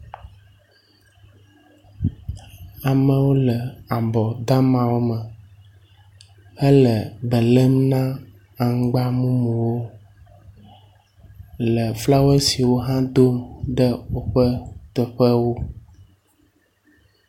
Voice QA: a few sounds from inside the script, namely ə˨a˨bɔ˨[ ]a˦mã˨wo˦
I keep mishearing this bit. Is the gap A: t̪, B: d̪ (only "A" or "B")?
B